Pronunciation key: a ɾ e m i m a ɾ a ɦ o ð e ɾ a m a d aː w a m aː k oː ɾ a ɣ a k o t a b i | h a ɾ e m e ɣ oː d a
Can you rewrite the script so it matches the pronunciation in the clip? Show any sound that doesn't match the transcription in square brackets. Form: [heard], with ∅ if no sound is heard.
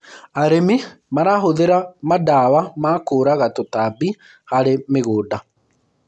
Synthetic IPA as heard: a ɾ e m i m a ɾ a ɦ o ð e ɾ a m a d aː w a m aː k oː ɾ a ɣ a [t] o t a b i | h a ɾ e m e ɣ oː d a